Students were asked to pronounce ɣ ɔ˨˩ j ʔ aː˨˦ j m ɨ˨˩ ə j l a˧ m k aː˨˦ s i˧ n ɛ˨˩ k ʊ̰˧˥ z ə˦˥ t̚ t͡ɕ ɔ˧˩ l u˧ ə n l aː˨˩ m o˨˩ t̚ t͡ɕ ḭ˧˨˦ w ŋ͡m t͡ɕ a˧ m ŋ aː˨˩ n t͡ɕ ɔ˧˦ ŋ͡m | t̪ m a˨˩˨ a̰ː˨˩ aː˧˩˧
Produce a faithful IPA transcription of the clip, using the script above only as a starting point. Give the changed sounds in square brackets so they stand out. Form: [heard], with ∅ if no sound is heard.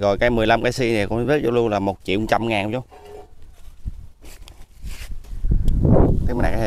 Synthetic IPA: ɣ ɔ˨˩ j [k] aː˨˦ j m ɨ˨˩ ə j l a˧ m k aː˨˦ s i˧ n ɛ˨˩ k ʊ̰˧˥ z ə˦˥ t̚ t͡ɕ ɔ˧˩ l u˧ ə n l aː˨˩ m o˨˩ t̚ t͡ɕ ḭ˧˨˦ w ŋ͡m t͡ɕ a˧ m ŋ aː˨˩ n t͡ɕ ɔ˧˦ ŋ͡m | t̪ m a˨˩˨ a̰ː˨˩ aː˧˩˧